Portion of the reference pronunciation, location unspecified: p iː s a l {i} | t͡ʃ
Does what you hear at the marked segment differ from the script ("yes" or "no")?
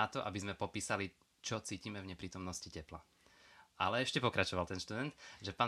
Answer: no